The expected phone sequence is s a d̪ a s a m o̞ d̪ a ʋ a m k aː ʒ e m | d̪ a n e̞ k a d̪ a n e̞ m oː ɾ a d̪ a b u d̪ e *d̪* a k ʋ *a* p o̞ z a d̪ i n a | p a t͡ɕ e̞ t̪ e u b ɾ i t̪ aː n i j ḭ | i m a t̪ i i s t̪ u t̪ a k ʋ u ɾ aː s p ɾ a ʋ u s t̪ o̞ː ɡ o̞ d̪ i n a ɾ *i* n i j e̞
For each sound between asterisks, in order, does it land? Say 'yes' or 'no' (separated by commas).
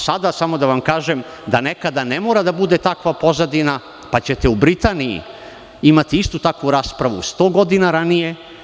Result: no, yes, no